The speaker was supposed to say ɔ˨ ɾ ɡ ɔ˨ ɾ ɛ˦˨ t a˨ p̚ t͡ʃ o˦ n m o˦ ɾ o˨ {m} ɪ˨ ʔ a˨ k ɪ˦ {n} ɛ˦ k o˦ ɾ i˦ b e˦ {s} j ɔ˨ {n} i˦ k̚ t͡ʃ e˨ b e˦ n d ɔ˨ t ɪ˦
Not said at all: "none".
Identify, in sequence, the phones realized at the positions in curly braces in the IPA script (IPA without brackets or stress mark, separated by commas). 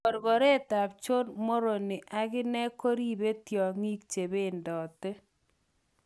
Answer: n, n, t, ŋ